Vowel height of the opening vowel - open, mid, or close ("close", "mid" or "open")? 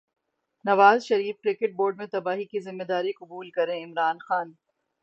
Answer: open